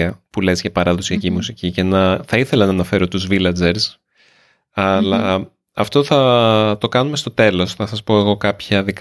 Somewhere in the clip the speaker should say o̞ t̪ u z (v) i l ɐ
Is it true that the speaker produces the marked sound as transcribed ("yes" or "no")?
yes